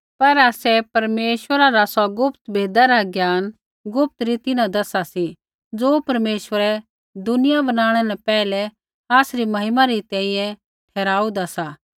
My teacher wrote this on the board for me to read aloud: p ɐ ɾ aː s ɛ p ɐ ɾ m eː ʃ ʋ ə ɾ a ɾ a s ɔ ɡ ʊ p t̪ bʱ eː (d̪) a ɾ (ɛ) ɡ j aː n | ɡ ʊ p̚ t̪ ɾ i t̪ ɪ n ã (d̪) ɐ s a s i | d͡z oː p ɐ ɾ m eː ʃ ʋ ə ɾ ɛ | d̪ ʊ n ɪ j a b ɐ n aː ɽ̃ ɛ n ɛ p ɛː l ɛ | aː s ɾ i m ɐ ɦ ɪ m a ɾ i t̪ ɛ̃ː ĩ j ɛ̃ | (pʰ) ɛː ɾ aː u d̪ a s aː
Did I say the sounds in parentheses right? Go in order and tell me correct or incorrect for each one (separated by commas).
correct, incorrect, correct, incorrect